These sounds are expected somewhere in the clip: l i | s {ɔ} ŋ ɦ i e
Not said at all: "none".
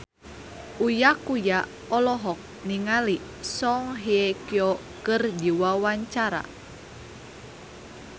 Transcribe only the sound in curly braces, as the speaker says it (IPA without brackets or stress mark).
ɔ